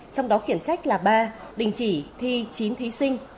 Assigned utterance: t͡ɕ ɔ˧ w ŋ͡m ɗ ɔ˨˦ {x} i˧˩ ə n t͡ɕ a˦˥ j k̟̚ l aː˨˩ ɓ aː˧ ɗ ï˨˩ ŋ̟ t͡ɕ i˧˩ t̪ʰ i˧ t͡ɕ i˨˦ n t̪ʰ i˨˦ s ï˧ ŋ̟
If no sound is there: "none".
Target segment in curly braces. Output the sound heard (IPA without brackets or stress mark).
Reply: x